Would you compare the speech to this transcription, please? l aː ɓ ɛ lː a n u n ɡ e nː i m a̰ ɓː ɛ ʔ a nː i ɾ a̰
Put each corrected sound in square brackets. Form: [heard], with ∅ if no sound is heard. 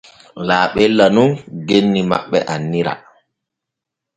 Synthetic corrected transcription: l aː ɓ ɛ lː a n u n ɡ e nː i m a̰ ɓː ɛ ʔ a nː i ɾ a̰